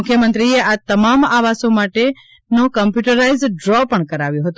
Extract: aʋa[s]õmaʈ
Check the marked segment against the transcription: correct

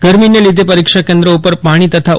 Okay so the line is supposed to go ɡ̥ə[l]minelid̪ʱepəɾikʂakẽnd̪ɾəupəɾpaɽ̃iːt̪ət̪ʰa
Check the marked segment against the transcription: incorrect: ɾ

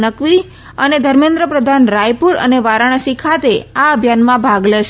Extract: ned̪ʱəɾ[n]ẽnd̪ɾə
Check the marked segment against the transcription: incorrect: m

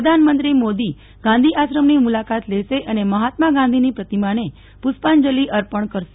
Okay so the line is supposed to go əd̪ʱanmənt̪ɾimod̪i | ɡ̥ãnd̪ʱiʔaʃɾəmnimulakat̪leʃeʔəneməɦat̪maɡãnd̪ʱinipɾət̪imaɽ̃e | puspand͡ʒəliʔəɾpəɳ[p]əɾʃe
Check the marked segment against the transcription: incorrect: k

